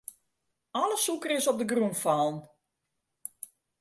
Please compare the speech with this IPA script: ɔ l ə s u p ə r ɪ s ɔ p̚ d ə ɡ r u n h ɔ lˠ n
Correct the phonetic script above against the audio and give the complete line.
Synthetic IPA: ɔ l ə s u k ə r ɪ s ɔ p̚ d ə ɡ r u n f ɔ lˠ n